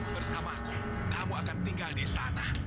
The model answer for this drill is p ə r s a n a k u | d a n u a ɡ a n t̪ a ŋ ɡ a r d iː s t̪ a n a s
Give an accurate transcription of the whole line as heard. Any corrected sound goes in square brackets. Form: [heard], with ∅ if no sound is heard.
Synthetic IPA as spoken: [b] ə r s a [m] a k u | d a [m] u a [k] a n t̪ [i] ŋ ɡ a [l] d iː s t̪ a n a [h]